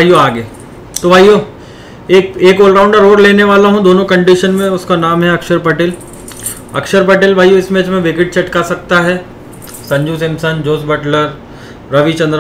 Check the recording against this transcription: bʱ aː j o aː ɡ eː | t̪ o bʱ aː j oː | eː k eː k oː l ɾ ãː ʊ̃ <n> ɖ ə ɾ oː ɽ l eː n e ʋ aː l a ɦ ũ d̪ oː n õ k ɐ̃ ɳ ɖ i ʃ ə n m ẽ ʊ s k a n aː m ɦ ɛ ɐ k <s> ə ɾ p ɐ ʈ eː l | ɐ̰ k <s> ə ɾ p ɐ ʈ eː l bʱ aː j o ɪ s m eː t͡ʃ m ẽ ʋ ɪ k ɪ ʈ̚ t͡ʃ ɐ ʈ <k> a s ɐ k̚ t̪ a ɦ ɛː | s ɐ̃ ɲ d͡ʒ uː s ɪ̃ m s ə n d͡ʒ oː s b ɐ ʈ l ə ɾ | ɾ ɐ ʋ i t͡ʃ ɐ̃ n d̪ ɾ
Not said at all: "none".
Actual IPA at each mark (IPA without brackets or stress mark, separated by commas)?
ɳ, ʃ, ʃ, k